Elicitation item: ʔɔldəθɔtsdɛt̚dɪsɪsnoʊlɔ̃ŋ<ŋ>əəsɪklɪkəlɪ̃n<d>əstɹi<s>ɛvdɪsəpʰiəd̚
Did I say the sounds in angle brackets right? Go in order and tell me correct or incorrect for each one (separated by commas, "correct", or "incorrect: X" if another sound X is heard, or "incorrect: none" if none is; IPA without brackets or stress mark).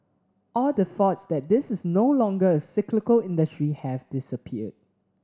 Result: incorrect: ɡ, correct, incorrect: h